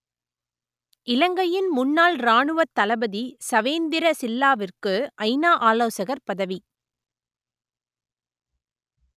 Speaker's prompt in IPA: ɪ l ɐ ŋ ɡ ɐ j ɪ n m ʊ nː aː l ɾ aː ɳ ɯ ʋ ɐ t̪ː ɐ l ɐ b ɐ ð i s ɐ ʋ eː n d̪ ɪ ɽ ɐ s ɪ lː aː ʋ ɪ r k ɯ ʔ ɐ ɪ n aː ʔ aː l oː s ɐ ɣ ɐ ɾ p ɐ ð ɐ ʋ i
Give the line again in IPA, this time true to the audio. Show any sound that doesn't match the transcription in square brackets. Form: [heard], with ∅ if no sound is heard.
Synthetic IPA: ɪ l ɐ ŋ ɡ ɐ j ɪ n m ʊ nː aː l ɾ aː ɳ ɯ ʋ ɐ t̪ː ɐ l ɐ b ɐ ð i s ɐ ʋ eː n d̪ ɪ [ɾ] ɐ s ɪ lː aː ʋ ɪ r k ɯ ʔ ɐ ɪ n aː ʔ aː l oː s ɐ ɣ ɐ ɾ p ɐ ð ɐ ʋ i